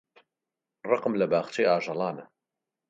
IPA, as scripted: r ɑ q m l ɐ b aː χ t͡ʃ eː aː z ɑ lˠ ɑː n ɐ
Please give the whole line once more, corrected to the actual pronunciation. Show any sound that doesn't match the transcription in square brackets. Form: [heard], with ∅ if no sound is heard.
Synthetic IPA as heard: r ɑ q m l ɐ b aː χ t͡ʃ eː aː [ʒ] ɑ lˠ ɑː n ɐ